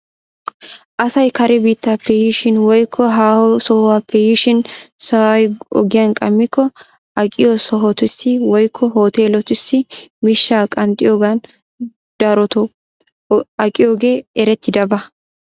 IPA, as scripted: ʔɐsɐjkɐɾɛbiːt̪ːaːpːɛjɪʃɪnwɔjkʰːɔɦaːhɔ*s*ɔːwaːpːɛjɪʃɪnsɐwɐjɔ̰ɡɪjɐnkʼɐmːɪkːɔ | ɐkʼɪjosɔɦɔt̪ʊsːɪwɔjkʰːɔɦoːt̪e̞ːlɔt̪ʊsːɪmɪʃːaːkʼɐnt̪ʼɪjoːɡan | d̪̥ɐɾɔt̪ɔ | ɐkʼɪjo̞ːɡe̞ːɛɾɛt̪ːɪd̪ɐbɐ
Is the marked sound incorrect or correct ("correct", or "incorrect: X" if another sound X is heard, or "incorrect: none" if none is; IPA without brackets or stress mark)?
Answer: correct